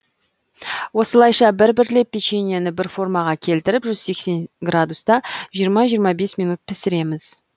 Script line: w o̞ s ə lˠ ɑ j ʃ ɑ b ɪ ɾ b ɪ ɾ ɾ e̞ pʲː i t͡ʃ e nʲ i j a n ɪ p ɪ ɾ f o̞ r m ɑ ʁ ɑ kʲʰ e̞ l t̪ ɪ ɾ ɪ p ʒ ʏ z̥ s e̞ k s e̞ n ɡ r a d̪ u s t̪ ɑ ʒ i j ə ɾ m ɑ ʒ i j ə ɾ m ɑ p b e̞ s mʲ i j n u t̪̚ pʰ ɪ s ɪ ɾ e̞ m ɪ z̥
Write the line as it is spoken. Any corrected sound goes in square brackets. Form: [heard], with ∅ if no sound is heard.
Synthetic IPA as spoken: w o̞ s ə lˠ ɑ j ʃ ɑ b ɪ ɾ b ɪ ɾ [l] e̞ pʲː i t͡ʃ e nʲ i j a n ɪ [b] ɪ ɾ f o̞ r m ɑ ʁ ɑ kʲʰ e̞ l t̪ ɪ ɾ ɪ p ʒ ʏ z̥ s e̞ k s e̞ n ɡ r a d̪ u s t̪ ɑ ʒ i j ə ɾ m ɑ ʒ i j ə ɾ m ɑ [∅] b e̞ s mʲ i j n u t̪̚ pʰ ɪ s ɪ ɾ e̞ m ɪ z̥